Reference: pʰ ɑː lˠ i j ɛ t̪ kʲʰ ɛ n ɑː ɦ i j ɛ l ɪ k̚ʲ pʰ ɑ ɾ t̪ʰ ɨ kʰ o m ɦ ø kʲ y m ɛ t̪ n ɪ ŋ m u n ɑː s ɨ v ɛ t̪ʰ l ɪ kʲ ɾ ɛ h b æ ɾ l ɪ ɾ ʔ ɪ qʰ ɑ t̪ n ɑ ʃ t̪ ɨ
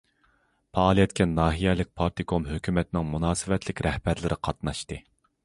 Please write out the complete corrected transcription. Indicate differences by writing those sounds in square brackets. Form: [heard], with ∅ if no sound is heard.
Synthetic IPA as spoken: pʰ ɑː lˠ i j ɛ t̪ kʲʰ ɛ n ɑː ɦ i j ɛ l ɪ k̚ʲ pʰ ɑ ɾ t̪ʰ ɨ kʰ o m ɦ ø kʲ y m ɛ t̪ n ɪ ŋ m u n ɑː s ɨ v ɛ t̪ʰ l ɪ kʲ ɾ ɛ h b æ ɾ l ɪ ɾ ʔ ɪ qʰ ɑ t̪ n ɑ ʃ t̪ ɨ